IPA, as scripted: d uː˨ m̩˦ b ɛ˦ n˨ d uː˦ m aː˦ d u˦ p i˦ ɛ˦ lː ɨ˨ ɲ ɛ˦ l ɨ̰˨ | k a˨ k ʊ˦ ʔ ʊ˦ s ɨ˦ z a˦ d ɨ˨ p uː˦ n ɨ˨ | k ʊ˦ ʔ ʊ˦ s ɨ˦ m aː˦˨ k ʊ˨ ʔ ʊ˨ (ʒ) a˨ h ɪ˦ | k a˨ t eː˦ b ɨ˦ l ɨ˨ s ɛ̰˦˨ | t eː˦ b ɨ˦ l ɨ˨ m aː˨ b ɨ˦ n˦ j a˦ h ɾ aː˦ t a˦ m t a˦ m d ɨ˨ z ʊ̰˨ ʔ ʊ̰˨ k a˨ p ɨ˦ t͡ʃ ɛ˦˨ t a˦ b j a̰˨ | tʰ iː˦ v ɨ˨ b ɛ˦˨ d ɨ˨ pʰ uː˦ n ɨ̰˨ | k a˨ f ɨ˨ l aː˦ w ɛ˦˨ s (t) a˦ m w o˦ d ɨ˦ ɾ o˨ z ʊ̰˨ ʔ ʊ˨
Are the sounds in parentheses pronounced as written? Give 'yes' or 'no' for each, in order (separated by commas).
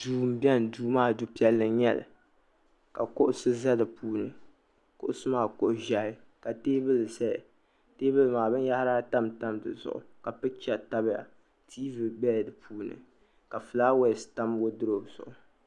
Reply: yes, yes